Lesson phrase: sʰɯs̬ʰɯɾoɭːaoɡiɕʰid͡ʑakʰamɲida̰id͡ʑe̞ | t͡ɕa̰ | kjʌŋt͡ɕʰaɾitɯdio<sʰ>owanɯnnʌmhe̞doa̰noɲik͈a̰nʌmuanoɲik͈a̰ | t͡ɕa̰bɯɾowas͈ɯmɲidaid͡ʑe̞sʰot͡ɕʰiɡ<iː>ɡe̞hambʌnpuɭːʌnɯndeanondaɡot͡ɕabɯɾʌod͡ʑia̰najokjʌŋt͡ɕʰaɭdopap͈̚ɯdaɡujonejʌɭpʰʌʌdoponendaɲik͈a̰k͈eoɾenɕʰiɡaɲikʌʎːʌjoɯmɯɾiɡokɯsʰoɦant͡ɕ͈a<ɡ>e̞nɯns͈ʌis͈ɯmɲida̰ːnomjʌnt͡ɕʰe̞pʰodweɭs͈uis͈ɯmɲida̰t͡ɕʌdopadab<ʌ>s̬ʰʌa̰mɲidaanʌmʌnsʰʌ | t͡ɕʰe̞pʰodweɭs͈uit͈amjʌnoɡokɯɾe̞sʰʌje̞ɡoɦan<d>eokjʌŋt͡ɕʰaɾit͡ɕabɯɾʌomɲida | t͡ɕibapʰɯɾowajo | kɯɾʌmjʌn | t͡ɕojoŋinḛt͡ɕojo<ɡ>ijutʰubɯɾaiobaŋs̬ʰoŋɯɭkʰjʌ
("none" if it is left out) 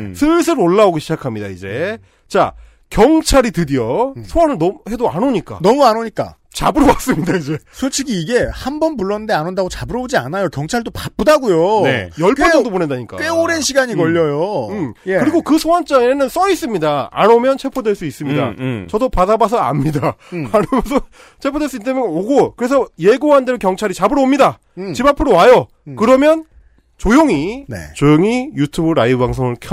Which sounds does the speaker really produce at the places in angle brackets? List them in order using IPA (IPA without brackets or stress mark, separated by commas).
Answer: sʰ, iː, ŋ, a, d, ŋ